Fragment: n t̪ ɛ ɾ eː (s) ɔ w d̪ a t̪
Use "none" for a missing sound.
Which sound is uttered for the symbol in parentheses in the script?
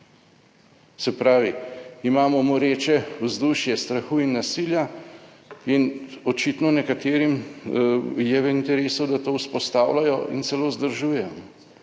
s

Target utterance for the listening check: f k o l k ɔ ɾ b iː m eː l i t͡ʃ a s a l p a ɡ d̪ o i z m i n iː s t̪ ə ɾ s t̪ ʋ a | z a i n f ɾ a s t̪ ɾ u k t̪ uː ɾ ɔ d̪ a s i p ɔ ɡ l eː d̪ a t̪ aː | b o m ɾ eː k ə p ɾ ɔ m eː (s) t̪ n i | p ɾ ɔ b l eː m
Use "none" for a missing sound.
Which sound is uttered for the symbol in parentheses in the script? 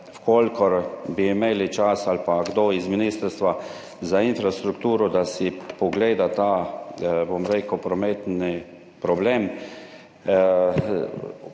none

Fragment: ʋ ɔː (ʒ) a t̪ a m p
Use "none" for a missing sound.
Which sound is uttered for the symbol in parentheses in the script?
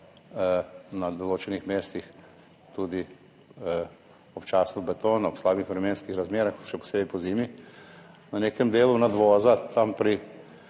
z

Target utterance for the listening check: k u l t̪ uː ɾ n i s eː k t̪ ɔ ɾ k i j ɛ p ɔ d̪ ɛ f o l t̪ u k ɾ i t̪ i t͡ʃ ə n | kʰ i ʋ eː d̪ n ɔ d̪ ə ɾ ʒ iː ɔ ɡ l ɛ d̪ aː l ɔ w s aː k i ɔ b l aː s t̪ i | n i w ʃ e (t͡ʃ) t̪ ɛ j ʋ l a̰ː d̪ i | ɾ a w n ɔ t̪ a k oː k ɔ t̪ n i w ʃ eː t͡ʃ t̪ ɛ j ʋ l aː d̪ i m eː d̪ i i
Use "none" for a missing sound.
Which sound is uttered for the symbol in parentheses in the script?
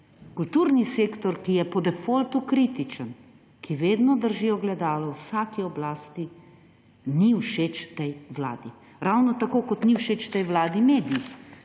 t͡ʃ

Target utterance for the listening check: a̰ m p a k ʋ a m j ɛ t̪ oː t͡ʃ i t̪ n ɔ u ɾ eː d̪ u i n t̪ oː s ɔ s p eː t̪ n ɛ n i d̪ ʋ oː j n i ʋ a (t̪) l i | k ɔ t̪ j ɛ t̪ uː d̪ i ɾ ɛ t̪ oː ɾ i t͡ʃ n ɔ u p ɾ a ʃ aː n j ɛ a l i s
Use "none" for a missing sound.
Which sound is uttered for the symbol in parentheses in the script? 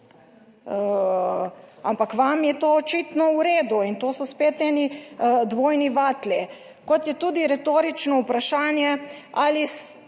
t̪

